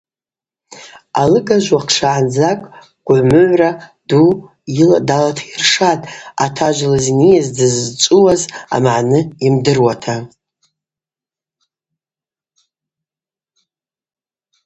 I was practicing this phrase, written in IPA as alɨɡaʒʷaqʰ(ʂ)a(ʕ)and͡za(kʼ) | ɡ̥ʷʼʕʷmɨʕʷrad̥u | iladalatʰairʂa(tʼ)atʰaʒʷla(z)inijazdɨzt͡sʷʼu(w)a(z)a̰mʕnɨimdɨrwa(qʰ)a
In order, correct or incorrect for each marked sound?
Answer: correct, correct, correct, correct, correct, correct, correct, incorrect

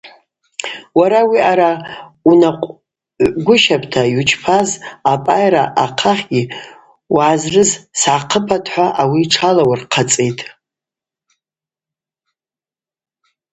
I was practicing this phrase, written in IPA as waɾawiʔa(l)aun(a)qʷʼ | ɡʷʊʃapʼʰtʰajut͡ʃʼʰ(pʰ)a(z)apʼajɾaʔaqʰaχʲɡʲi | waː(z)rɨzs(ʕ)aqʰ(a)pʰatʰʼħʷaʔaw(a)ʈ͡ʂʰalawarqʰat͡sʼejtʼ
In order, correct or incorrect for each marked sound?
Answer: incorrect, correct, correct, correct, correct, correct, incorrect, incorrect

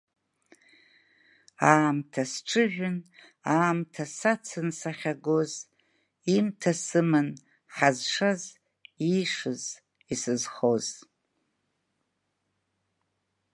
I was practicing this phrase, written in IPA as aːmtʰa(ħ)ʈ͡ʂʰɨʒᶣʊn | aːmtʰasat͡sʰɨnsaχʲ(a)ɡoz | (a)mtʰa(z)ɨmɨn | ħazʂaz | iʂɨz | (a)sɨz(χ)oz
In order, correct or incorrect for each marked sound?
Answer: incorrect, correct, incorrect, incorrect, incorrect, correct

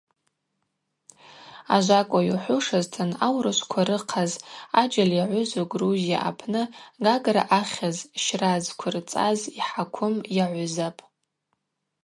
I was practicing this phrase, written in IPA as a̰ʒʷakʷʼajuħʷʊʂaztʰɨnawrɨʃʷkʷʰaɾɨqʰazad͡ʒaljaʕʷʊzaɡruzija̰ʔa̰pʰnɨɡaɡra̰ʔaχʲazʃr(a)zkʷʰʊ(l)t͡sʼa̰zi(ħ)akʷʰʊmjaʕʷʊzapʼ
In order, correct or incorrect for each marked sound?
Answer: correct, incorrect, correct

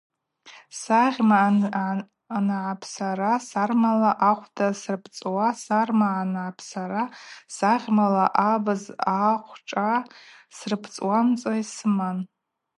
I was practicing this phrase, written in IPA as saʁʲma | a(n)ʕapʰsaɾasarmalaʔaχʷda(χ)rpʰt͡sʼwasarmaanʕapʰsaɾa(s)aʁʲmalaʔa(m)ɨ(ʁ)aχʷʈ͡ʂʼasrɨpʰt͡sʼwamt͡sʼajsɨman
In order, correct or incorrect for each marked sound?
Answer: correct, incorrect, correct, incorrect, incorrect

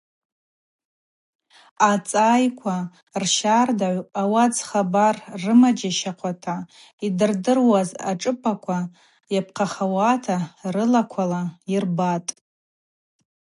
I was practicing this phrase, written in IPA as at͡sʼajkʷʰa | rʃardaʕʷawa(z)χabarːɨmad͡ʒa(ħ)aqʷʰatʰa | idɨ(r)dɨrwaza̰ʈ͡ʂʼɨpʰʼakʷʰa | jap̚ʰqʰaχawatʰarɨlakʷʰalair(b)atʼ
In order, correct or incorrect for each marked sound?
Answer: incorrect, incorrect, correct, correct

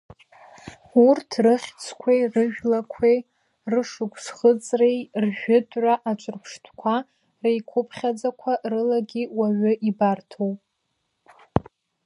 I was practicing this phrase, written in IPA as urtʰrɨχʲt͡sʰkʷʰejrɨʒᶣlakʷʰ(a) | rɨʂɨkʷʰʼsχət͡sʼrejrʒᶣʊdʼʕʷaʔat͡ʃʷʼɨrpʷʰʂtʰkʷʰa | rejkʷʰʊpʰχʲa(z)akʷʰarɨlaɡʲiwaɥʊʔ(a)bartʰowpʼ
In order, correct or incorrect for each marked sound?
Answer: incorrect, incorrect, incorrect

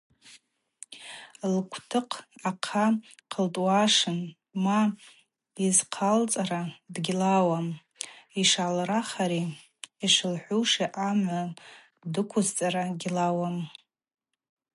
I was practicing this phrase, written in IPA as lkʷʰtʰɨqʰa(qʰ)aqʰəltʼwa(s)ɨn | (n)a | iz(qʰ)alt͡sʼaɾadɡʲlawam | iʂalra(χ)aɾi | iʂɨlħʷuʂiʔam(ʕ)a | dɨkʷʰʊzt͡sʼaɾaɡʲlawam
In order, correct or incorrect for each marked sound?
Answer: correct, incorrect, incorrect, correct, correct, correct

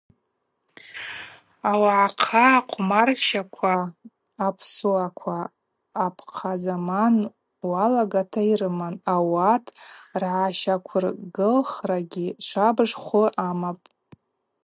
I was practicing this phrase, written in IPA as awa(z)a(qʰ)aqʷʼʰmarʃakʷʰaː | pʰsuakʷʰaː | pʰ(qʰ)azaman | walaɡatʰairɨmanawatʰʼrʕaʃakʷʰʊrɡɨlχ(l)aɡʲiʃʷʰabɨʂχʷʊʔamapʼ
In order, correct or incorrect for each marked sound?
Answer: incorrect, correct, correct, incorrect

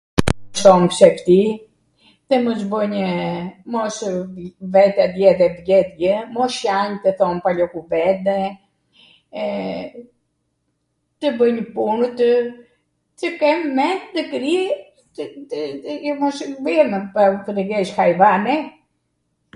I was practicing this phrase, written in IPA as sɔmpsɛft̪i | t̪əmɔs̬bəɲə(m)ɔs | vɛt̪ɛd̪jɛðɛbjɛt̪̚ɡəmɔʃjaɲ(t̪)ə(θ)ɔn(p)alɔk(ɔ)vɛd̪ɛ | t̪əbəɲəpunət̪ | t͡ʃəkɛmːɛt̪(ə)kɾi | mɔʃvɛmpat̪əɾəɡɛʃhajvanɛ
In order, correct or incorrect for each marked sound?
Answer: correct, correct, correct, correct, incorrect, correct

